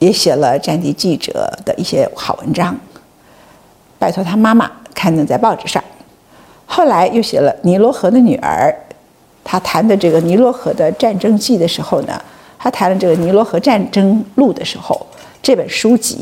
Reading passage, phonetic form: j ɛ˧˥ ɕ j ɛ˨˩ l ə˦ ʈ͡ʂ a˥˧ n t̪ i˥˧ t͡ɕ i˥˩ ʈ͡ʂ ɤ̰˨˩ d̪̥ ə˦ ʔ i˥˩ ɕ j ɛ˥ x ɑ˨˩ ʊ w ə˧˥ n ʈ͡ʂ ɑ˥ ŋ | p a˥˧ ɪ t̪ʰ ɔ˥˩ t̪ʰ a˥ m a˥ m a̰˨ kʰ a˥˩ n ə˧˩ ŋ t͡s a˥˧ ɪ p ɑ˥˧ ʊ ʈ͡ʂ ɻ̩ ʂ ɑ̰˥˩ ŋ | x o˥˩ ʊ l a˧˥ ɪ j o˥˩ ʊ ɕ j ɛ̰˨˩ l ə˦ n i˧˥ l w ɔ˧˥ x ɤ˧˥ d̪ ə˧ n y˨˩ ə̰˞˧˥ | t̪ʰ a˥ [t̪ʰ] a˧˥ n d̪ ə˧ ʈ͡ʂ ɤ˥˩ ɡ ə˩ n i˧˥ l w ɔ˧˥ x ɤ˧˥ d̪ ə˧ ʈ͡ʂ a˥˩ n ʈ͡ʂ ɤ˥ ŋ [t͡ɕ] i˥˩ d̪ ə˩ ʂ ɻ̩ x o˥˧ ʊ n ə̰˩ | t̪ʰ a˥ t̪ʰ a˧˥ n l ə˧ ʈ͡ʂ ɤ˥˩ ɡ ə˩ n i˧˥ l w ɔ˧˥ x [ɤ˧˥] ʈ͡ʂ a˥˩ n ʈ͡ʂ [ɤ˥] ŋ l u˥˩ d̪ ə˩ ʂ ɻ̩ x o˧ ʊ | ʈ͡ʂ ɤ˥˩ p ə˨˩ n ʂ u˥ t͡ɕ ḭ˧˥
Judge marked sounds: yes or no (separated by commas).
yes, yes, yes, yes